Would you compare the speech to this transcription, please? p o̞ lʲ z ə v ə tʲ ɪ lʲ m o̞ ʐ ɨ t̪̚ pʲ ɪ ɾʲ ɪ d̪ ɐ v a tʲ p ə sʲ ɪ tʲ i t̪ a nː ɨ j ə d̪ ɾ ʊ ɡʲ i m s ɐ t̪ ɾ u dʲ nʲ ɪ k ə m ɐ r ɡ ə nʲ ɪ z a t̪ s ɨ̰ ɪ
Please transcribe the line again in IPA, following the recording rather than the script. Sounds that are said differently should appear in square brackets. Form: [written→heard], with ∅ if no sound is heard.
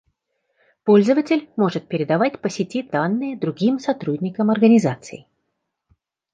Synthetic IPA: p o̞ lʲ z ə v ə tʲ ɪ lʲ m o̞ ʐ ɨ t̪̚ pʲ ɪ ɾʲ ɪ d̪ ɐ v a tʲ p ə sʲ ɪ tʲ i [t̪→d̪] a nː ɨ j ə d̪ ɾ ʊ ɡʲ i m s ɐ t̪ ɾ u dʲ nʲ ɪ k ə m ɐ r ɡ ə nʲ ɪ z a t̪ s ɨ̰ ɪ